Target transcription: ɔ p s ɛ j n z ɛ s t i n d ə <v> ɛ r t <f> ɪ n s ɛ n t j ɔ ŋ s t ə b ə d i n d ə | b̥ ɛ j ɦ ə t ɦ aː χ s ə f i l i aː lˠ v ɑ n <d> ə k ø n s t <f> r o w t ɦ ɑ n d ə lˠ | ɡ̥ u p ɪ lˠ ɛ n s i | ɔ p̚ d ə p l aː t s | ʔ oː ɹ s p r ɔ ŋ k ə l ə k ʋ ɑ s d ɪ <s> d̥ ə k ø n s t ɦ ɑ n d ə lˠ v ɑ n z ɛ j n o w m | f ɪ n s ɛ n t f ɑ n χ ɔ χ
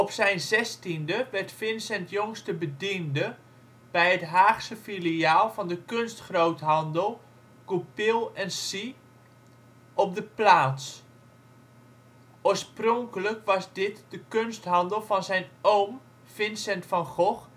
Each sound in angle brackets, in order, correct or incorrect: incorrect: ʋ, correct, correct, incorrect: χ, incorrect: t

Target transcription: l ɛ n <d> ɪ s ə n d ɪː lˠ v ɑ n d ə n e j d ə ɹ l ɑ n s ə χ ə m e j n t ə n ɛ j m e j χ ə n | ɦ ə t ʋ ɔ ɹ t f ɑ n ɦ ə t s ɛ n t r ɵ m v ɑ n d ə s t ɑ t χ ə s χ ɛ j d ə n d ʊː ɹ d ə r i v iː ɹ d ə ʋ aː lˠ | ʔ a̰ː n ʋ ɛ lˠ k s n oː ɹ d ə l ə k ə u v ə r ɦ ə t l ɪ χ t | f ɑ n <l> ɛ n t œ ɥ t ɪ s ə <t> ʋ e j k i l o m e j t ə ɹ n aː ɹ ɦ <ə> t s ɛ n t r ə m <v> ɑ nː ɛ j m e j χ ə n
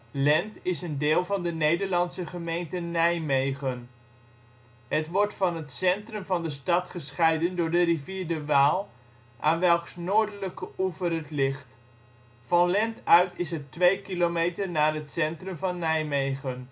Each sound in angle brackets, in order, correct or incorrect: incorrect: t, correct, correct, correct, correct

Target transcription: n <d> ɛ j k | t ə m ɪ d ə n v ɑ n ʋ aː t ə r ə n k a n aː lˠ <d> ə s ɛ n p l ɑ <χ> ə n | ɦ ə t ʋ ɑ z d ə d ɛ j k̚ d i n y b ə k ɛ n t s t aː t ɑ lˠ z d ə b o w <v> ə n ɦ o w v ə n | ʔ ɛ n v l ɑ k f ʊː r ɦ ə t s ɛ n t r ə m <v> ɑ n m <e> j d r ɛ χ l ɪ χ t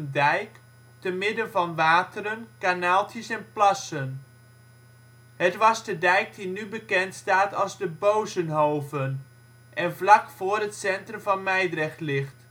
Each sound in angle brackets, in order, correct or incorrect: correct, incorrect: t, incorrect: s, incorrect: z, correct, incorrect: ɛ

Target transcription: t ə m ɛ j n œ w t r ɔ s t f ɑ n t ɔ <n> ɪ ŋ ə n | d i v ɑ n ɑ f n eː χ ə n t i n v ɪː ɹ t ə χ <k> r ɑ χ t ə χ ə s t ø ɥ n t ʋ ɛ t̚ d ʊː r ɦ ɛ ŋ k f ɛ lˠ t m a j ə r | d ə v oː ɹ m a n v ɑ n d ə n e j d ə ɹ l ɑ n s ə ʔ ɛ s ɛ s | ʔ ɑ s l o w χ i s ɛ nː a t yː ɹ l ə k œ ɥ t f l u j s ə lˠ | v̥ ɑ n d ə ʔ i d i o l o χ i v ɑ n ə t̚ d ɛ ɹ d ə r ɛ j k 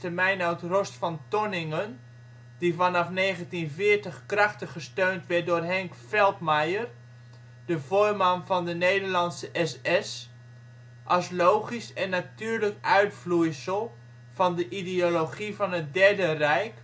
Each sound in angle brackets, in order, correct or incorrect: correct, correct

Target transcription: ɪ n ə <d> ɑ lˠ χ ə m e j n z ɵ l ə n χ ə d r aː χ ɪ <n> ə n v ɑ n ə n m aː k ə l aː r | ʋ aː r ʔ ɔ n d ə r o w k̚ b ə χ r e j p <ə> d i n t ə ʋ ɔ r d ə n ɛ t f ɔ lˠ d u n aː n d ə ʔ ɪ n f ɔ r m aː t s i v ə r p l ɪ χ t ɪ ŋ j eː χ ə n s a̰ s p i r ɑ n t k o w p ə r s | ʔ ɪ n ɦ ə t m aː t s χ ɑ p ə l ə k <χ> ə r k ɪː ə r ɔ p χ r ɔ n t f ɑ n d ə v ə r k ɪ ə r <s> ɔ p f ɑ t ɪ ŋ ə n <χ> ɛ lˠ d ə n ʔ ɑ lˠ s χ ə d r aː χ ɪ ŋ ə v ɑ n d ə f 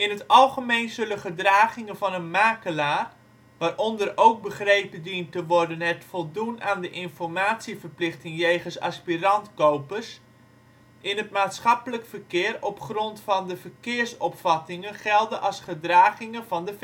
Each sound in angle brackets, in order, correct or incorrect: incorrect: t, incorrect: ŋ, correct, incorrect: f, correct, correct

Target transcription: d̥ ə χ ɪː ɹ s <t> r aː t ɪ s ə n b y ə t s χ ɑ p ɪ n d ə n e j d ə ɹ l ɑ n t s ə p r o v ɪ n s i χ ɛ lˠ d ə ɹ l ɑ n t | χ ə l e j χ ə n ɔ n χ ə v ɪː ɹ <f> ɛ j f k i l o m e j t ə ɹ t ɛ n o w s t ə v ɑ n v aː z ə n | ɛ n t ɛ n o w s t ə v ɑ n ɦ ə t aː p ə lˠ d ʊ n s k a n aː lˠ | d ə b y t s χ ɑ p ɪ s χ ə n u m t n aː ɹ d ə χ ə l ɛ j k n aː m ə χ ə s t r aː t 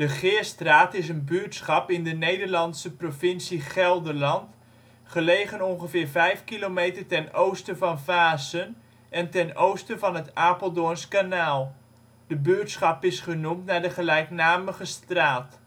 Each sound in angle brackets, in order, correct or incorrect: correct, incorrect: v

